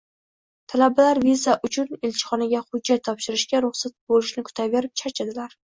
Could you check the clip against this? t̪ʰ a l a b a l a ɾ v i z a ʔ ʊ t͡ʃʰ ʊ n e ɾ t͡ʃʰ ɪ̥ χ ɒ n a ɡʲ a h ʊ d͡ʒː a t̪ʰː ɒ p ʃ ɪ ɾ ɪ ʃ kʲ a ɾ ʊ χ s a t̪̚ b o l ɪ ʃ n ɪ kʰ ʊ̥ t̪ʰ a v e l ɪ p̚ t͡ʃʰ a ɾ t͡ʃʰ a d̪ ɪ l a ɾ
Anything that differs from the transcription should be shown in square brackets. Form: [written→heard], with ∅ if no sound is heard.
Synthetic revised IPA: t̪ʰ a l a b a l a ɾ v i z a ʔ ʊ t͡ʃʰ ʊ n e [ɾ→l] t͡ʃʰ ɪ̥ χ ɒ n a ɡʲ a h ʊ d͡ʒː a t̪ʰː ɒ p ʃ ɪ ɾ ɪ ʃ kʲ a ɾ ʊ χ s a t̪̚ b o l ɪ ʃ n ɪ kʰ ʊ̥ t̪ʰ a v e [l→ɾ] ɪ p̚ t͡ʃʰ a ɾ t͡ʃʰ a d̪ ɪ l a ɾ